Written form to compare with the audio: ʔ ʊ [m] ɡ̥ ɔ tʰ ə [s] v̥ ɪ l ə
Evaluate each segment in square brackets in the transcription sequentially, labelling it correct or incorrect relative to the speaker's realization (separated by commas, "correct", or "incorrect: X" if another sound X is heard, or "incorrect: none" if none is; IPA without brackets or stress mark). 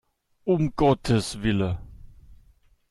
correct, correct